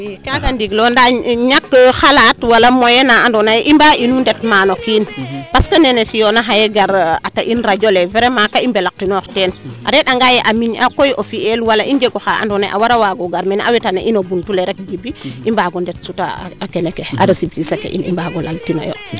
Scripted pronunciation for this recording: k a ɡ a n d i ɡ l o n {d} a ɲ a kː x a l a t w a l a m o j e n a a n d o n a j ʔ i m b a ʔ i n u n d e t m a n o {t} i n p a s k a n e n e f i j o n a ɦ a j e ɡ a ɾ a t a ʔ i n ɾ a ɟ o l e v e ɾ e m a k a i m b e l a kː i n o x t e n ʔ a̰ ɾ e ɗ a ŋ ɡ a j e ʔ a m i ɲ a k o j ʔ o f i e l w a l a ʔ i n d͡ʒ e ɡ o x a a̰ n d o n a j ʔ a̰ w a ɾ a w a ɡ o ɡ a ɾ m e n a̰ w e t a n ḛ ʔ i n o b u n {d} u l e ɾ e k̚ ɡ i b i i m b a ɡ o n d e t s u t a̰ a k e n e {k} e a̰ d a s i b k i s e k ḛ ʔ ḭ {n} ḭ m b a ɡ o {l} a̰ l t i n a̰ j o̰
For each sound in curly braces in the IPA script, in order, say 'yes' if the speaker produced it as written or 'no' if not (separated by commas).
yes, no, no, yes, yes, yes